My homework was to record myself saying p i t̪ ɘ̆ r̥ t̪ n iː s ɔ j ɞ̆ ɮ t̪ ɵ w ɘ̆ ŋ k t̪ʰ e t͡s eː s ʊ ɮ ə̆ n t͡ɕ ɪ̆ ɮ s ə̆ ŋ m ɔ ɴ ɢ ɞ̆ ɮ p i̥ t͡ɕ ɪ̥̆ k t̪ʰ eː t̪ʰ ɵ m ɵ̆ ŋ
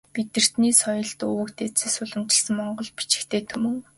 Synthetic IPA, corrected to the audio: p i t̪ ɘ̆ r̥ t̪ n iː s ɔ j ɞ̆ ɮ t̪ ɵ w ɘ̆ k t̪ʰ e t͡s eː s ʊ ɮ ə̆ m t͡ɕ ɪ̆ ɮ s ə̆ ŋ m ɔ ɴ ɢ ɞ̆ ɮ p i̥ t͡ɕ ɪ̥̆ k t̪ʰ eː t̪ʰ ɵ m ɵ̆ ŋ